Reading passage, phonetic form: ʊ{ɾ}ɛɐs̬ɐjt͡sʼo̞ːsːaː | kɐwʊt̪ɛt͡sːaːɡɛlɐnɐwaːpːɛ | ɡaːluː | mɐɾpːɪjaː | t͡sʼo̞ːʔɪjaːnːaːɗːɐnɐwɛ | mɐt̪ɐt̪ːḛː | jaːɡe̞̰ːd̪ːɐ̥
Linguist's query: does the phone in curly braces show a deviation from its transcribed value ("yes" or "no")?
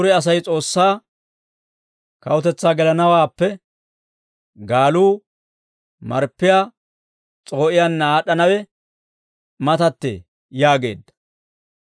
no